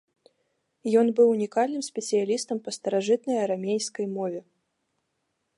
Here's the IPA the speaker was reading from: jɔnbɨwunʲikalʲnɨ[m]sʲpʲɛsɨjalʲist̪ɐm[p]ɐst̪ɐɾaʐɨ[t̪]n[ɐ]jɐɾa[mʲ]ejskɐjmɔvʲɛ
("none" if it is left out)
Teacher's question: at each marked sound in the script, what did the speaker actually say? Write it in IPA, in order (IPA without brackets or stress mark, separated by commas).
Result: m, p, t̪, ɐ, mʲ